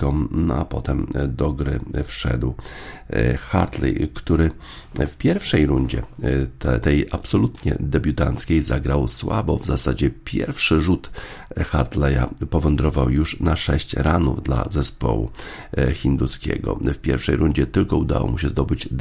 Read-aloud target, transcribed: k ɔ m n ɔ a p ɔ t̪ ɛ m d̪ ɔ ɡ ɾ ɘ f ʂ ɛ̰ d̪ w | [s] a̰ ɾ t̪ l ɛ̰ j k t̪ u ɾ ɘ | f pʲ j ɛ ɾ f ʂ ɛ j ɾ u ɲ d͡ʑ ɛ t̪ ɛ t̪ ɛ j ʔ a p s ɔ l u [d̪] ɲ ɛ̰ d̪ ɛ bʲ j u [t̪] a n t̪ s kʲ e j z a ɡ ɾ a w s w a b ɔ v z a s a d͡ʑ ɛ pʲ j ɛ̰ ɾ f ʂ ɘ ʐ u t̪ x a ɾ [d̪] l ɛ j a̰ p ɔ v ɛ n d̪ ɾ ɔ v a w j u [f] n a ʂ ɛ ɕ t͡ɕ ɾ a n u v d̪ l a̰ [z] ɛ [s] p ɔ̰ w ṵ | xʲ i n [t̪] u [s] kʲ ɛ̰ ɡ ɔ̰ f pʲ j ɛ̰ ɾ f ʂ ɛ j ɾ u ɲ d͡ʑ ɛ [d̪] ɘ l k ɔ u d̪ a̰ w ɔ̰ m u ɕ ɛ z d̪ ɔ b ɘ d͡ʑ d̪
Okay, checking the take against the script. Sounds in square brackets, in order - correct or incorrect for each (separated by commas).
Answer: incorrect, incorrect, correct, incorrect, incorrect, correct, correct, incorrect, correct, incorrect